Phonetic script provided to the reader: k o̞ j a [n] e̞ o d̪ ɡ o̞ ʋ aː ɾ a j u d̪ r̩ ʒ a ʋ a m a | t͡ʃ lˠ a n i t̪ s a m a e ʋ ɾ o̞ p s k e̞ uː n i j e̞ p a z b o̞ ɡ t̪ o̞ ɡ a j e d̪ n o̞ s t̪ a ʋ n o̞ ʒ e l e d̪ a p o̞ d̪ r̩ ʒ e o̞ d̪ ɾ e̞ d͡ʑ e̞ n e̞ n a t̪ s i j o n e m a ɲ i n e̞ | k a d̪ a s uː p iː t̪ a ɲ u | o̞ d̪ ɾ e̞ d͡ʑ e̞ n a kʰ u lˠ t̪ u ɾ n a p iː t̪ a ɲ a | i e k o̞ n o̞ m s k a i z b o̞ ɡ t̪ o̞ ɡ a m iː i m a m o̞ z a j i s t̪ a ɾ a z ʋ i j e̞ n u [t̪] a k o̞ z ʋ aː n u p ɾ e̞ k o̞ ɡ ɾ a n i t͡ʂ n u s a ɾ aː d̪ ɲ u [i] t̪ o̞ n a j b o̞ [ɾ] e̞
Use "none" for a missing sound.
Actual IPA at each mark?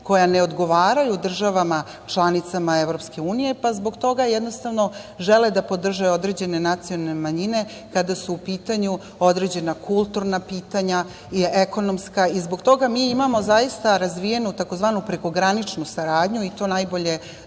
n, t̪, i, ʎ

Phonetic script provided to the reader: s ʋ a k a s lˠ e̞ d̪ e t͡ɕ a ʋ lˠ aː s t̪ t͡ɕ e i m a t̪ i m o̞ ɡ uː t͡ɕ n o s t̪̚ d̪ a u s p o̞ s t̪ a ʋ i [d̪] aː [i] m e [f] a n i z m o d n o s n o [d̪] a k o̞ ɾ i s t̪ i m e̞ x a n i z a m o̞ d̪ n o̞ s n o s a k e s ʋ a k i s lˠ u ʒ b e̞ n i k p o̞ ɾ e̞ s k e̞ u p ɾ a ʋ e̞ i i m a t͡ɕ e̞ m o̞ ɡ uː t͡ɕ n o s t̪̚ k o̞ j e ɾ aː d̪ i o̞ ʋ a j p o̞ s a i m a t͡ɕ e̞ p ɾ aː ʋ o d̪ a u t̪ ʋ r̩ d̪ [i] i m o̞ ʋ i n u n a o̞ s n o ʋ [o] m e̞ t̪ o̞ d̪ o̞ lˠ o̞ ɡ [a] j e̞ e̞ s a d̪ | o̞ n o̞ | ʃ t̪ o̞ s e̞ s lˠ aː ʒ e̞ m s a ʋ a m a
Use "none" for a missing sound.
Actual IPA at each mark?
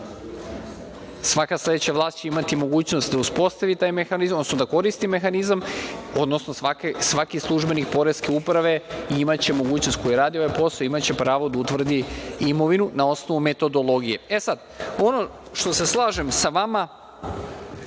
t̪, j, x, d̪, i, u, i

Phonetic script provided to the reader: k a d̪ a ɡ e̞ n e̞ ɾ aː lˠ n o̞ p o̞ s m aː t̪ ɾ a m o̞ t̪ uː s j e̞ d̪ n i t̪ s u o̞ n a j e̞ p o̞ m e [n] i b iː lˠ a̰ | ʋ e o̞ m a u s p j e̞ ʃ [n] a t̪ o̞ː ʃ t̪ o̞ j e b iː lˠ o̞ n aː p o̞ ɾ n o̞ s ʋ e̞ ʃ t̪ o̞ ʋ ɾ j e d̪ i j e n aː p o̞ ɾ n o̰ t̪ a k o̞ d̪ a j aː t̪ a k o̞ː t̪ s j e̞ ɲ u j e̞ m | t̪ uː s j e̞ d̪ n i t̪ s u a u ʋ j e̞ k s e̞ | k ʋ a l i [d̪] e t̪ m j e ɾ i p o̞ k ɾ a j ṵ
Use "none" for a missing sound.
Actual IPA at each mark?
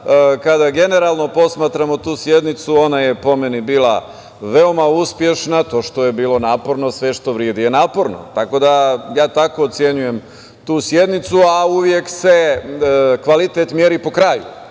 n, n, t̪

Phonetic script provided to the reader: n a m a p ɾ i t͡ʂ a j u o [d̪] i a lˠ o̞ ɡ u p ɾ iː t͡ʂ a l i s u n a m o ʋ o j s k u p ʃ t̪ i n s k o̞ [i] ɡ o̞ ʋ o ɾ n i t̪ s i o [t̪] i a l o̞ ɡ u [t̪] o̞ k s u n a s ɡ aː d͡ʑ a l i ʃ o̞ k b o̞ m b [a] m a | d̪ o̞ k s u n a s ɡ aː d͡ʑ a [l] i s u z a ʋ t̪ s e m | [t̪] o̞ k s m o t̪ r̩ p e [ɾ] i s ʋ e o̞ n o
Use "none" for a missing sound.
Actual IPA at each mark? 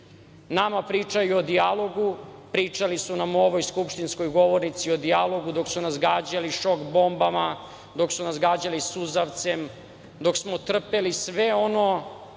d̪, j, d̪, d̪, a, l, d̪, l

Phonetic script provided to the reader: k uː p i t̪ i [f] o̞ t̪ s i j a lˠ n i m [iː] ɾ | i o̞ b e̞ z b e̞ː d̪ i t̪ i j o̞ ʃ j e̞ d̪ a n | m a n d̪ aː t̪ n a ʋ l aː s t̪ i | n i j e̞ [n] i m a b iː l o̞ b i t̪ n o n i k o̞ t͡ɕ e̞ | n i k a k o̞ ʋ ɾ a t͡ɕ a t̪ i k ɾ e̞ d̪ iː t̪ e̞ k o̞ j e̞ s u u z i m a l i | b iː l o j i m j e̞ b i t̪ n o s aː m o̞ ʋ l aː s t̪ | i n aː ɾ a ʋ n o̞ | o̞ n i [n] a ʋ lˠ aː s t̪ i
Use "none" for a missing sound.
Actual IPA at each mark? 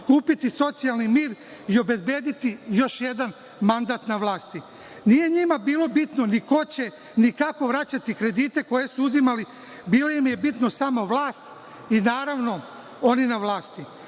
s, iː, ɲ, n

